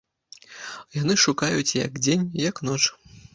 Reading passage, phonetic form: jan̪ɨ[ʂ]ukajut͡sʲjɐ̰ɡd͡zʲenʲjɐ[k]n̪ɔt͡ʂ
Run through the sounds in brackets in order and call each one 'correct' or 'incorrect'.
correct, correct

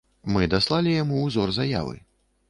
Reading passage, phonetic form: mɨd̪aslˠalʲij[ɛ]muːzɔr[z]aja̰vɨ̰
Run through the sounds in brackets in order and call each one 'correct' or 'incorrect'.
incorrect: a, correct

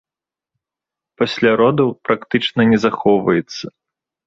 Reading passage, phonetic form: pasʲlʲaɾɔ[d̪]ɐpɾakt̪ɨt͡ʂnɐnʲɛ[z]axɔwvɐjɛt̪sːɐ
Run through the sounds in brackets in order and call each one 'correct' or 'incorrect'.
correct, correct

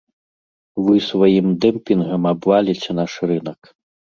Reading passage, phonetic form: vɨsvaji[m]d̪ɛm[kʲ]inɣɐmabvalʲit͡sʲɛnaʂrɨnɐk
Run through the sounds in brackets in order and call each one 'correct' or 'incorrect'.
correct, incorrect: pʲ

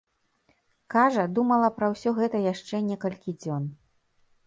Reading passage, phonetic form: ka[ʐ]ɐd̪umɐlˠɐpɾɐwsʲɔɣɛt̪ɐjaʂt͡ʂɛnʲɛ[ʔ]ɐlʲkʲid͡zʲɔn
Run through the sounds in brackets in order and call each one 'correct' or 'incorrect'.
correct, incorrect: k

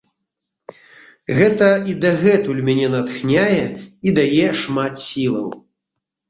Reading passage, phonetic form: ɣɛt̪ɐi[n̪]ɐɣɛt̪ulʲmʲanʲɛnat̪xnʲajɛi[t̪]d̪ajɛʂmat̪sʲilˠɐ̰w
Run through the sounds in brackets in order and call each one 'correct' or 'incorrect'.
incorrect: d̪, incorrect: none

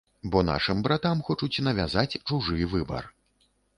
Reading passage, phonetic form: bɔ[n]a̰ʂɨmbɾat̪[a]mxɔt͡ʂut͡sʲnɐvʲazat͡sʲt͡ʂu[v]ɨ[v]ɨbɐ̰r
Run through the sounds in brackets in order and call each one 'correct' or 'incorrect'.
correct, correct, incorrect: ʐ, correct

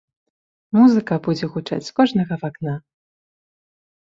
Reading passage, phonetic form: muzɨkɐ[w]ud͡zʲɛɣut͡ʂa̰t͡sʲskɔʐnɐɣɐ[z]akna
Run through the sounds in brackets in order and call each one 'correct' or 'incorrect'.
incorrect: b, incorrect: v

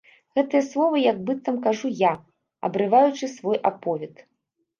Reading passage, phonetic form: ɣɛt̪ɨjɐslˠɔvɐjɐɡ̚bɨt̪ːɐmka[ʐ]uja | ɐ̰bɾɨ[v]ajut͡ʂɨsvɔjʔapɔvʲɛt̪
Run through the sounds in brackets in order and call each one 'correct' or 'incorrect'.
correct, correct

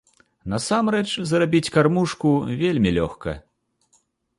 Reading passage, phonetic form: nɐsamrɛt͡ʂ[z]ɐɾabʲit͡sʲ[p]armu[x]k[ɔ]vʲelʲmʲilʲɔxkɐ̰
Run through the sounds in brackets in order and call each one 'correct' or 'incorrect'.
correct, incorrect: k, incorrect: ʂ, incorrect: u

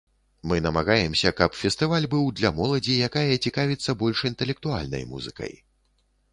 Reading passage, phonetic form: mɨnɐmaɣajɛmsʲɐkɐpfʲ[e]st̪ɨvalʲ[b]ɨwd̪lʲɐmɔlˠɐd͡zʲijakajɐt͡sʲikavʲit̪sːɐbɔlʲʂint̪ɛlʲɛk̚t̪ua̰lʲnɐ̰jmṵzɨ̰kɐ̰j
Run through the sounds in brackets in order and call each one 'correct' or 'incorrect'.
incorrect: ɛ, correct

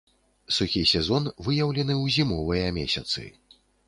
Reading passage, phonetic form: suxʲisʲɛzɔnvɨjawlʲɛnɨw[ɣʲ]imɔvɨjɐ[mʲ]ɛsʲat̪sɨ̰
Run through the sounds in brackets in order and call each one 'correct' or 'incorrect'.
incorrect: zʲ, correct

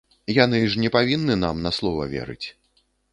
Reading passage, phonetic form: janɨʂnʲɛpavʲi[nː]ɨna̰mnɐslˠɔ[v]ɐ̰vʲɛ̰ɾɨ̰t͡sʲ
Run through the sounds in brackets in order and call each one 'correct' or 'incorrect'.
correct, correct

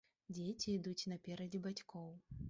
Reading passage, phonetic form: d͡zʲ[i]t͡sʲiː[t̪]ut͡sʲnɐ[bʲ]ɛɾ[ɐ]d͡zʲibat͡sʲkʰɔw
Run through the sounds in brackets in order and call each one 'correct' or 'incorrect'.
incorrect: e, incorrect: d̪, incorrect: pʲ, correct

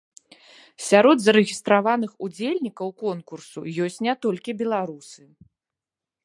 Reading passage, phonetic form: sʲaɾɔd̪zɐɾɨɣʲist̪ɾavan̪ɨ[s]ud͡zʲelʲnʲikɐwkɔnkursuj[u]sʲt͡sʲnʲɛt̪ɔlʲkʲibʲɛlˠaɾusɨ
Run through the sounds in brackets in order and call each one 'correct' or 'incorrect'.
incorrect: x, incorrect: ɔ

